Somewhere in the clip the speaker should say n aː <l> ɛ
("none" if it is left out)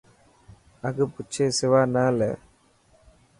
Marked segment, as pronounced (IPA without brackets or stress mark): l